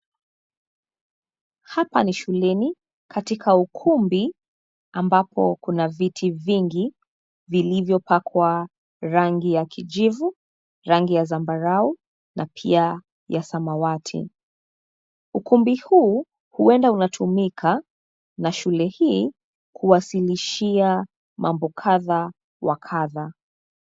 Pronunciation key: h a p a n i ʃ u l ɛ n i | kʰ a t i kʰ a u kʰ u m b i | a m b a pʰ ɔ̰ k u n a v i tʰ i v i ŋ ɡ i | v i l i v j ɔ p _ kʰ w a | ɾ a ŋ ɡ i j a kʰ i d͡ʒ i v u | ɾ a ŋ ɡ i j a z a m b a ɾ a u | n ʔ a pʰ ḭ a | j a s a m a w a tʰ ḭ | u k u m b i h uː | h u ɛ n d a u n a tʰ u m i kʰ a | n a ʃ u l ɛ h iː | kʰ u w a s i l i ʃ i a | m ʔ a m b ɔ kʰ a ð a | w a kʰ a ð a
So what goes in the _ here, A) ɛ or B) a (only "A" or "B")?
B